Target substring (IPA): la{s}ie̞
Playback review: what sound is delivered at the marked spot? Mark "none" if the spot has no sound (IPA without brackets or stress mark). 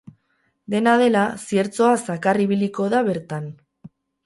s